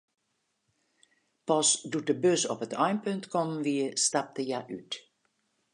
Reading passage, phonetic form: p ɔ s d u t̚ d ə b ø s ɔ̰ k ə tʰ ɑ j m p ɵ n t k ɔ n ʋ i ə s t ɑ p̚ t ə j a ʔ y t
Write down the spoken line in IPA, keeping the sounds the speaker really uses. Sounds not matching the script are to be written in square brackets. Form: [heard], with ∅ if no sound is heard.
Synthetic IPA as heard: p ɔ s d u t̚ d ə b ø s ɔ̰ [p] ə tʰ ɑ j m p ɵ n t k ɔ [m] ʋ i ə s t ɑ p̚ t ə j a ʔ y t